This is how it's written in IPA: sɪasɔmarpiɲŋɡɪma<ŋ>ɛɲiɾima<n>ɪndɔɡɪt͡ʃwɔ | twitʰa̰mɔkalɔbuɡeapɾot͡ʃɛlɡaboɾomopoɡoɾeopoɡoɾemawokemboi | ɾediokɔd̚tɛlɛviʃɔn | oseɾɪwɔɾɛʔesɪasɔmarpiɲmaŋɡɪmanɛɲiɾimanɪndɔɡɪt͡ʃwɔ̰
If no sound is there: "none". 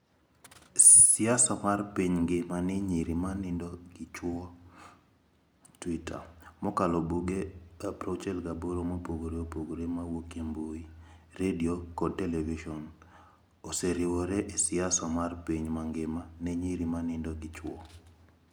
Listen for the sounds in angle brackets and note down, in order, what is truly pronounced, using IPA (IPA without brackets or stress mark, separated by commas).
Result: n, n